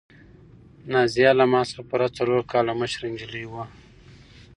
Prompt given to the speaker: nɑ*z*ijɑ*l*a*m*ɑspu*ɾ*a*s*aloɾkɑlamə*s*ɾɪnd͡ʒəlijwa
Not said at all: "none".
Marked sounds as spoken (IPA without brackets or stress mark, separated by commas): z, l, m, ɾ, t͡s, ʃ